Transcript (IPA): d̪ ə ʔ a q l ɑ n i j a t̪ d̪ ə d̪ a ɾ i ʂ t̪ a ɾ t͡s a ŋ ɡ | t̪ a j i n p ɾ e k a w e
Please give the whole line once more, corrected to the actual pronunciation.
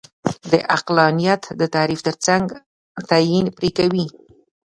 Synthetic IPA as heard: d̪ ə ʔ a q l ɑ n i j a t̪ d̪ ə t̪ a ɾ i f t̪ ə ɾ t͡s a ŋ ɡ | t̪ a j i n p ɾ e k a w i